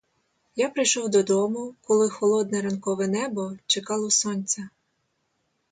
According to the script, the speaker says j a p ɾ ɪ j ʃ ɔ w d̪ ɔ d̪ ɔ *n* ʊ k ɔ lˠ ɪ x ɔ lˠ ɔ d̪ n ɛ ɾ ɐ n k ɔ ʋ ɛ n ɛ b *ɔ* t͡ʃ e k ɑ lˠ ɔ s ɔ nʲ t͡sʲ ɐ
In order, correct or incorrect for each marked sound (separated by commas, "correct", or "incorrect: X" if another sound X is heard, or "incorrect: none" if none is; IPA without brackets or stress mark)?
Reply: incorrect: m, correct